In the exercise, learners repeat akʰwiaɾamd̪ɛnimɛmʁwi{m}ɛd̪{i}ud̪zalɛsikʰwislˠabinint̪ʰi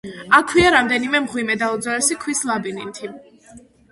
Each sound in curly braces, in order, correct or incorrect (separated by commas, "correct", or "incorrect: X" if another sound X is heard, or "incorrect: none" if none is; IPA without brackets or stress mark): correct, incorrect: a